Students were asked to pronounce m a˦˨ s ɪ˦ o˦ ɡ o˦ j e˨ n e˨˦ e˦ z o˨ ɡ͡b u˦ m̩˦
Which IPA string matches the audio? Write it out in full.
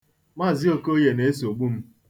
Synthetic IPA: m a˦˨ z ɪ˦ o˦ k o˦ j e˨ n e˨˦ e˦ s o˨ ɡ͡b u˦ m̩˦